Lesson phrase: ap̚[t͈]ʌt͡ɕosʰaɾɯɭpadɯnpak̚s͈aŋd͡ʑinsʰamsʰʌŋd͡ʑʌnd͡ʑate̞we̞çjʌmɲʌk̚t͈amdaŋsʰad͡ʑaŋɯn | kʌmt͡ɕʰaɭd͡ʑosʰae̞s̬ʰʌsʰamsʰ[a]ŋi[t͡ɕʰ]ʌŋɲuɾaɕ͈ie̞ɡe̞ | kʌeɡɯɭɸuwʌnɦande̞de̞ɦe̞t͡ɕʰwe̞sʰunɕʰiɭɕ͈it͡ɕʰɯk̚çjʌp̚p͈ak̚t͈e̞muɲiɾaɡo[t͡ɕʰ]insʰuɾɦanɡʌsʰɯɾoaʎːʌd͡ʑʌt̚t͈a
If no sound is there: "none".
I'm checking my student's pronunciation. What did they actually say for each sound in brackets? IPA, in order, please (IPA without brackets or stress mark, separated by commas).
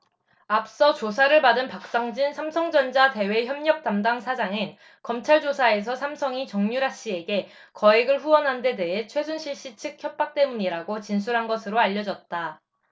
s͈, ʌ, t͡ɕ, t͡ɕ